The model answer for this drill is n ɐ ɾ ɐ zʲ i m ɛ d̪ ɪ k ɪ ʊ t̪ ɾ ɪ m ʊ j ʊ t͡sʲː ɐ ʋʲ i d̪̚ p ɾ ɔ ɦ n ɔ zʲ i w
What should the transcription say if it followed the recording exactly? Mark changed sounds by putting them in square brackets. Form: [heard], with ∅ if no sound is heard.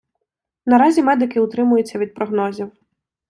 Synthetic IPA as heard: n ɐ ɾ [ɑ] zʲ i m ɛ d̪ ɪ k ɪ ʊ t̪ ɾ ɪ m ʊ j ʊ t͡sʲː ɐ ʋʲ i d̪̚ p ɾ ɔ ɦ n ɔ zʲ i w